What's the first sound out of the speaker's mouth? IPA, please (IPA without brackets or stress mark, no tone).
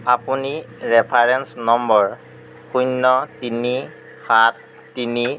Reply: a